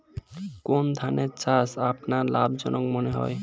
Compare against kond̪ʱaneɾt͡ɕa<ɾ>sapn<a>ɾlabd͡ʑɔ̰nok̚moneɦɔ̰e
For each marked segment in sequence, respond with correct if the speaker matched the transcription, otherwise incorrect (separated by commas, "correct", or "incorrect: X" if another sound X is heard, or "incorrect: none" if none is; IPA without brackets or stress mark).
incorrect: none, correct